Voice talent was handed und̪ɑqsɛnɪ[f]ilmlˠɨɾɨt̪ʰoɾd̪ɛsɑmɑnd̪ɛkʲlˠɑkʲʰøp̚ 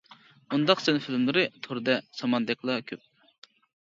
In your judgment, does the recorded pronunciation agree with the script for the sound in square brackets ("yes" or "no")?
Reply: yes